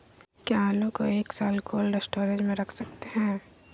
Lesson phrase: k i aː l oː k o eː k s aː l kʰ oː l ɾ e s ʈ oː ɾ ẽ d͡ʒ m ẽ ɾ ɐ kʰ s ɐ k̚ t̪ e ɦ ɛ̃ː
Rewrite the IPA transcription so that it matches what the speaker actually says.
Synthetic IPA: k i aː l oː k o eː k s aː l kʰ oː l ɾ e s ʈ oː ɾ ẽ d͡ʒ m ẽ ɾ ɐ kʰ s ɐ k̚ t̪ e ɦ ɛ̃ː